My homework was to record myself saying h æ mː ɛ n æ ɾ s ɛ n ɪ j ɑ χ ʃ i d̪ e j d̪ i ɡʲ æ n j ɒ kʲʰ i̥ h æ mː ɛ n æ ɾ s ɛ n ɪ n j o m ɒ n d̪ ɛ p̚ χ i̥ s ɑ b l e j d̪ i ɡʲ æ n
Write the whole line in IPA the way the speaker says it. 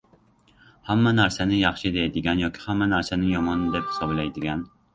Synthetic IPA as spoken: h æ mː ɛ n æ ɾ s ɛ n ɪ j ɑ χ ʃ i d̪ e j d̪ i ɡʲ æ n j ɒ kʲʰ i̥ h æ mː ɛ n æ ɾ s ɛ n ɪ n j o m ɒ n d̪ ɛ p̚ h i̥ s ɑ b l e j d̪ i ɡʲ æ n